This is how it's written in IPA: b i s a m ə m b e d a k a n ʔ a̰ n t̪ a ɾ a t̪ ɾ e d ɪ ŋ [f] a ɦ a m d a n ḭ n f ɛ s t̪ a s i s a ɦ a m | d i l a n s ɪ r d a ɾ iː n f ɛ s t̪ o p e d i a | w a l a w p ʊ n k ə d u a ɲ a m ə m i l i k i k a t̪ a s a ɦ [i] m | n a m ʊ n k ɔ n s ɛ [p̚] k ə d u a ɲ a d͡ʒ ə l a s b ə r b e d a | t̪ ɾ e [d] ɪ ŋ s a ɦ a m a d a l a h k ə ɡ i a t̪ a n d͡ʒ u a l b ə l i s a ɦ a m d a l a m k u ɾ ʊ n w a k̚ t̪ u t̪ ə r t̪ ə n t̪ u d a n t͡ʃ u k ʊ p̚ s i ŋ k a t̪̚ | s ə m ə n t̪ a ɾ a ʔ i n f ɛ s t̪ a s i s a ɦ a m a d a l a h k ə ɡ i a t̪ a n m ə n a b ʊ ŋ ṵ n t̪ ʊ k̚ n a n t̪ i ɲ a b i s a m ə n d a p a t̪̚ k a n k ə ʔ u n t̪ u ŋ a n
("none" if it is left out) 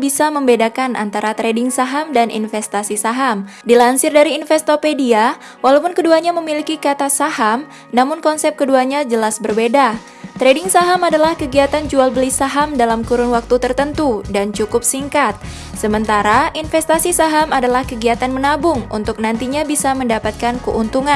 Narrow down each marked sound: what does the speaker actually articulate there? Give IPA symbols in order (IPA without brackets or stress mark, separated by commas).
s, a, p̚, d